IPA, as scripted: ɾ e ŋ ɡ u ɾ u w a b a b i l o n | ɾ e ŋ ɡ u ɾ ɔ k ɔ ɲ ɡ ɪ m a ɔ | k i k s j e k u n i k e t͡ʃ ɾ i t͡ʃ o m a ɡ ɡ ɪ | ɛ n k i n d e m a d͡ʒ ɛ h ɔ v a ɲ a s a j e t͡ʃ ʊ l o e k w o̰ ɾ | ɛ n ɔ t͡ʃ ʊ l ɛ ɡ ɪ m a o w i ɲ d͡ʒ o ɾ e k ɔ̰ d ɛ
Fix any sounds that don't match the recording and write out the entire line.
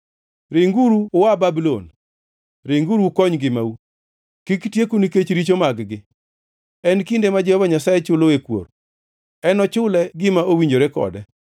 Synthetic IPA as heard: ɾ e ŋ ɡ u ɾ u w a b a b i l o n | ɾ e ŋ ɡ u ɾ u k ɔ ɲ ɡ ɪ m a u | k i k t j e k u n i k e t͡ʃ ɾ i t͡ʃ o m a ɡ ɡ ɪ | ɛ n k i n d e m a d͡ʒ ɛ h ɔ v a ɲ a s a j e t͡ʃ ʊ l o e k w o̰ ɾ | ɛ n ɔ t͡ʃ ʊ l ɛ ɡ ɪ m a o w i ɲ d͡ʒ o ɾ e k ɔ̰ d ɛ